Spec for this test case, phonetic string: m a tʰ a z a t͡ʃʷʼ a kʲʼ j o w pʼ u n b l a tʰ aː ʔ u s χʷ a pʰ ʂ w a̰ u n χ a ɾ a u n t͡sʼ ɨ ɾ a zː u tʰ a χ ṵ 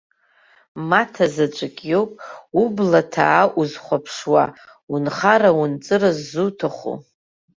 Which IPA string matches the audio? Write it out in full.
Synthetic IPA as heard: m a tʰ a z a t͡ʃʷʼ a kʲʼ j o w pʼ u b l a tʰ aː ʔ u z χʷ a pʰ ʂ w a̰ u n χ a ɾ a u n t͡sʼ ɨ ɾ a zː u tʰ a χ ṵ